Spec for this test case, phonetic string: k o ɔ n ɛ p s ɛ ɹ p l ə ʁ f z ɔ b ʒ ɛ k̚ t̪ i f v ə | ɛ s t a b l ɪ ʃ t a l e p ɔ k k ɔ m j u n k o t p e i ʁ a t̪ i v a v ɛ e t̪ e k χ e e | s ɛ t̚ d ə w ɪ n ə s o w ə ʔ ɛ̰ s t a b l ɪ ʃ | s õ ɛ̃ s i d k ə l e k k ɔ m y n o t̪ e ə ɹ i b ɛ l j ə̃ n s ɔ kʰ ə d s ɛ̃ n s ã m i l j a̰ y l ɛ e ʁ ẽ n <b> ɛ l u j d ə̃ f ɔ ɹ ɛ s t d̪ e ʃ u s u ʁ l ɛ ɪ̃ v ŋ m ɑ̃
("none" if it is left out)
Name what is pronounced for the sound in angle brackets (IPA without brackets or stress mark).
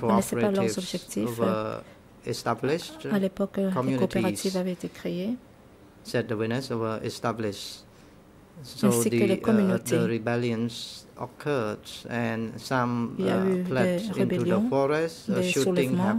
b